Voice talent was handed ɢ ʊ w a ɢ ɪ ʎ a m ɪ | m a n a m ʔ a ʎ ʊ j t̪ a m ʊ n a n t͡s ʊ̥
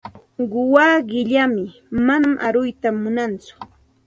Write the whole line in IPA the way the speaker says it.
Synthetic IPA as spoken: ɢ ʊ w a ɢ ɪ ʎ a m ɪ | m a n a m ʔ a ɾ ʊ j t̪ a m ʊ n a n t͡s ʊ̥